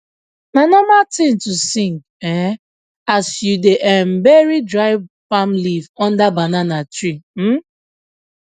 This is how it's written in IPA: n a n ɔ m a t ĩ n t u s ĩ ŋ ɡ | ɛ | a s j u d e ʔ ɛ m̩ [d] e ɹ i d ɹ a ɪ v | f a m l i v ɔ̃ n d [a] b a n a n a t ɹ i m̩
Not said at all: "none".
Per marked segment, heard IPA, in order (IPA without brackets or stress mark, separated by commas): b, a